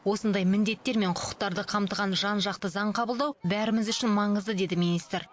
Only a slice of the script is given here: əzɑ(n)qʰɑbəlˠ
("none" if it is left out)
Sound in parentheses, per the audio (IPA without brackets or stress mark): ɴ